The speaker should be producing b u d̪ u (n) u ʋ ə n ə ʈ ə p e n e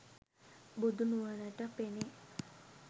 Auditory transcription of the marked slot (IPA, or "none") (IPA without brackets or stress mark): n